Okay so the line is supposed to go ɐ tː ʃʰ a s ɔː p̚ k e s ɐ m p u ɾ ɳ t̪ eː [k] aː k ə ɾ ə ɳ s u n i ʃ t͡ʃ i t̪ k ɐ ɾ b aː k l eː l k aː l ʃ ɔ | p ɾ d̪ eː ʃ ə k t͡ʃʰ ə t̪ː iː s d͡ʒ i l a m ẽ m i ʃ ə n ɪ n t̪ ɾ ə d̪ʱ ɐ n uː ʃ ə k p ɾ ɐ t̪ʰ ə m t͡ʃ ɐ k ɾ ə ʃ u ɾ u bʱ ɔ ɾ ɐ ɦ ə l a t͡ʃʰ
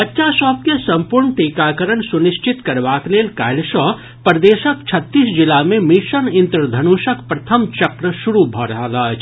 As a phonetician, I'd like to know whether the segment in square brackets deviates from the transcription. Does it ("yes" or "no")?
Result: no